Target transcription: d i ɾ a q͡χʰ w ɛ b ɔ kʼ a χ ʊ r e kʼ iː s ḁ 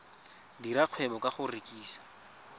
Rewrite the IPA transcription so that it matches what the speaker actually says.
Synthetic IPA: d i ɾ a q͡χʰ w ɛ b ɔ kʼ a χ ʊ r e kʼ iː s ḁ

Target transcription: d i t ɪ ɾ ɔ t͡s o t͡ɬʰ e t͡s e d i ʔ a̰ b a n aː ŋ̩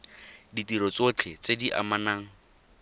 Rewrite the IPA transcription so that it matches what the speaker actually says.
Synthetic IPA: d i t i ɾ ɔ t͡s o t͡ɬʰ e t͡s e d i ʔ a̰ m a n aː ŋ̩

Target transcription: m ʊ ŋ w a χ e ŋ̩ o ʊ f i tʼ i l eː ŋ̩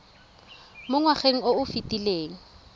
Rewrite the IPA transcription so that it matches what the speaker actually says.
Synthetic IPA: m ʊ ŋ w a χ e ŋ̩ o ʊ f i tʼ i l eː ŋ̩

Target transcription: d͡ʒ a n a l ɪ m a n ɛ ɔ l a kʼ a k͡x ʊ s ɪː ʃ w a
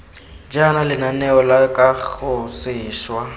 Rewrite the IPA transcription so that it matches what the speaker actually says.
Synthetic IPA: d͡ʒ a n a l ɪ n a n ɛ ɔ l a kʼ a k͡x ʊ s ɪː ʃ w a

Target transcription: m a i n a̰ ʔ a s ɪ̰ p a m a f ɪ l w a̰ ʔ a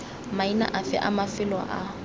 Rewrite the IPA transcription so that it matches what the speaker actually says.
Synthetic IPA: m a i n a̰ ʔ a f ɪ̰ ʔ a m a f ɪ l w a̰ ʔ a

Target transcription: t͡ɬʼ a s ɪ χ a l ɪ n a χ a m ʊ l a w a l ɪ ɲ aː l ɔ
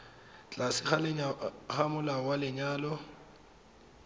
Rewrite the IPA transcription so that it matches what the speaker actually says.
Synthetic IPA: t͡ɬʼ a s ɪ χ a l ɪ ɲ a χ a m ʊ l a w a l ɪ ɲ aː l ɔ

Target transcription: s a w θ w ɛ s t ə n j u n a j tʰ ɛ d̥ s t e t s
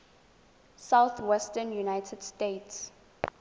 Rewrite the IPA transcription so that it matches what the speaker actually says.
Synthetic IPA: s a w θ w ɛ s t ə n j u n a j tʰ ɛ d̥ s t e t s

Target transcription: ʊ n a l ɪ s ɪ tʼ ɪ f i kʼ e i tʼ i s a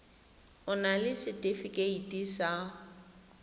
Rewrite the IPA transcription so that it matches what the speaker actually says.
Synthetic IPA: ʊ n a l ɪ s ɪ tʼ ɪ f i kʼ e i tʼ i s a

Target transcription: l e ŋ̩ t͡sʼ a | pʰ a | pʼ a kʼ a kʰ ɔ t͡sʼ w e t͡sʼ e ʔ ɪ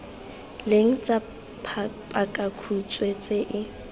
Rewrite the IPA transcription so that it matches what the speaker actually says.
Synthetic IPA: l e ŋ̩ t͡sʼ a | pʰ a | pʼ a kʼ a kʰ u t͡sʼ w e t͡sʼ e ʔ ɪ

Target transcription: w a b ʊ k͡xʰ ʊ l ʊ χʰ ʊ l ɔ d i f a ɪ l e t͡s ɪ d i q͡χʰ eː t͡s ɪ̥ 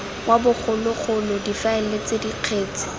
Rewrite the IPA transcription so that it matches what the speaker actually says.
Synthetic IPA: w a b ʊ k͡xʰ ʊ l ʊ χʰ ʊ l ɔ d i f a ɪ l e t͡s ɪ d i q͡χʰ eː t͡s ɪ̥

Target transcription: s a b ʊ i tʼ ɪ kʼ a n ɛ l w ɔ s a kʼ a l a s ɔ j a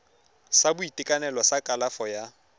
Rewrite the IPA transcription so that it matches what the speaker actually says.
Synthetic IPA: s a b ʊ i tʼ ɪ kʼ a n ɛ l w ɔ s a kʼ a l a f ɔ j a

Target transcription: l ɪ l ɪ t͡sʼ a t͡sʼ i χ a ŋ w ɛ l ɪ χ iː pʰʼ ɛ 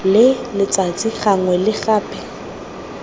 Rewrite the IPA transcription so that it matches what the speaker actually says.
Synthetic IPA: l ɪ l ɪ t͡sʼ a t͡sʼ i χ a ŋ w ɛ l ɪ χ aː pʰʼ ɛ

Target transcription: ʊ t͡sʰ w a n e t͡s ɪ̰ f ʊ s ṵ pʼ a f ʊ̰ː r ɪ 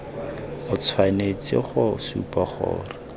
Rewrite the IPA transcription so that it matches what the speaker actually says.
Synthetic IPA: ʊ t͡sʰ w a n e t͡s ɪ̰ χ ʊ s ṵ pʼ a χ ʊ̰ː r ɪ

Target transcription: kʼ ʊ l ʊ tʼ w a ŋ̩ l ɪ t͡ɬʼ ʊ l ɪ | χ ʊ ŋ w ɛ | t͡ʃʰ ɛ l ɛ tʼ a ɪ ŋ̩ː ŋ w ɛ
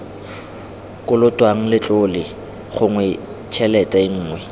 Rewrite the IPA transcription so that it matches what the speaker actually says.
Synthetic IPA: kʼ ʊ l ʊ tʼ w a ŋ̩ l ɪ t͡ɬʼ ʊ l ɪ | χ ʊ ŋ w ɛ | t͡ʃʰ ɛ l ɛ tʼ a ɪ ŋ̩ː ŋ w ɛ

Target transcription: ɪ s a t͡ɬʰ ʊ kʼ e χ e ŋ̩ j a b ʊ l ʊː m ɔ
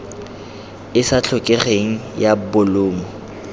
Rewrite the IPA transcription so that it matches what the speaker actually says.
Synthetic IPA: ɪ s a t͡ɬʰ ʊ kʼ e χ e ŋ̩ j a b ʊ l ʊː m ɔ

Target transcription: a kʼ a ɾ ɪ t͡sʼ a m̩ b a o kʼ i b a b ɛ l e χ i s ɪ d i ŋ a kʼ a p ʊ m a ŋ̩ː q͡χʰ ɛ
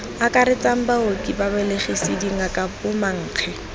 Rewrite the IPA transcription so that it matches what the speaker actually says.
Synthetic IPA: a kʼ a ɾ ɪ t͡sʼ a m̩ b a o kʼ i b a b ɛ l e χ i s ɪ d i ŋ a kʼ a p ʊ m a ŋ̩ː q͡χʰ ɛ

